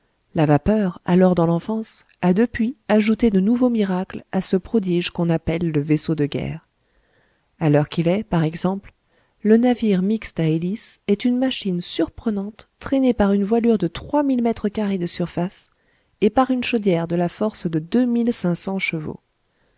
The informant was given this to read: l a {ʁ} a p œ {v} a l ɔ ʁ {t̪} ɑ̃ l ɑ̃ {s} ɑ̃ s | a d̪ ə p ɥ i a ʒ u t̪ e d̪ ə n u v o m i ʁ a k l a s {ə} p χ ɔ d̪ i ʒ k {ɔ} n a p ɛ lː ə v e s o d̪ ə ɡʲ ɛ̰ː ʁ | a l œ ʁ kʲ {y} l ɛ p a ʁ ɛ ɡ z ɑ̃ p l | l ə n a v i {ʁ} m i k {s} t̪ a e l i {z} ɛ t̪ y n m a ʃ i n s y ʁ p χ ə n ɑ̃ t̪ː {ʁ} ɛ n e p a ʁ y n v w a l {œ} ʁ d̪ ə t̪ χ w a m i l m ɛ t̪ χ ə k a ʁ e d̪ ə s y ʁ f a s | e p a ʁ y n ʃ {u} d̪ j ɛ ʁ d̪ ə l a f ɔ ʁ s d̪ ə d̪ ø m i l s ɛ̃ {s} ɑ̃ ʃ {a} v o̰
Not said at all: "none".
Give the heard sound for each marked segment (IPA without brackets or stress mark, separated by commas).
v, ʁ, d̪, f, ə, ɔ̃, i, ʁ, s, s, χ, y, o, s, ə